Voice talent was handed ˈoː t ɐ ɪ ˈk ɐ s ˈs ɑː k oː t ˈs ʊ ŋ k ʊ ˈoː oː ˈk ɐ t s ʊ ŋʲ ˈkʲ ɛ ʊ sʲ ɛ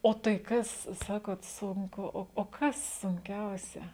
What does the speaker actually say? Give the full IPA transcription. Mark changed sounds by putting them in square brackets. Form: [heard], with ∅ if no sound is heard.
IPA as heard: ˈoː t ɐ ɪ ˈk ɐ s ˈs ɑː k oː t ˈs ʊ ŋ k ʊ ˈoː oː ˈk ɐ [s] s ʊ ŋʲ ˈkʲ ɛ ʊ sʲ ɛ